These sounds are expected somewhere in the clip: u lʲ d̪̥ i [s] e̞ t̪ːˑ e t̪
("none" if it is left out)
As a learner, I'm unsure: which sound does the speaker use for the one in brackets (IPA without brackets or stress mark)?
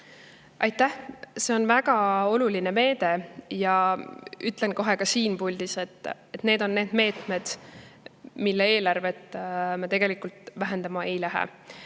s